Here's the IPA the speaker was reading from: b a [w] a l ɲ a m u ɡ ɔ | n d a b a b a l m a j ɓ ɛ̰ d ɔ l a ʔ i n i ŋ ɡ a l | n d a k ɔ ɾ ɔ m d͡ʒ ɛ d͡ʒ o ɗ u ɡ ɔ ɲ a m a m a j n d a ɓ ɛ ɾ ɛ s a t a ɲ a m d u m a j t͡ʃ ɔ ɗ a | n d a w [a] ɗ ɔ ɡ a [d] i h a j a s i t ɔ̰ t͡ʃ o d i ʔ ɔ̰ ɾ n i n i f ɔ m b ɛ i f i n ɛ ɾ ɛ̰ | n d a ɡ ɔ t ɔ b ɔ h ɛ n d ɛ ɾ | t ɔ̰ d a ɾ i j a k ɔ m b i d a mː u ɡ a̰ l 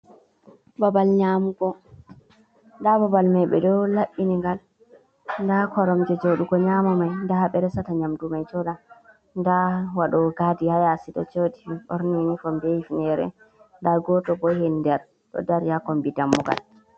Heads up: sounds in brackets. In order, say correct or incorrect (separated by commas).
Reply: incorrect, correct, correct